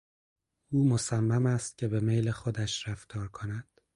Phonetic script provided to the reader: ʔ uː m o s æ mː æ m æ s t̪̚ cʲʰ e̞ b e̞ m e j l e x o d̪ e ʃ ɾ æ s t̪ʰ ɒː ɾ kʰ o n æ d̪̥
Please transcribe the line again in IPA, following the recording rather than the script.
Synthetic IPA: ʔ uː m o s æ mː æ m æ s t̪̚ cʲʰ e̞ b e̞ m e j l e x o d̪ æ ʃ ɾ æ f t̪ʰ ɒː ɾ kʰ o n æ d̪̥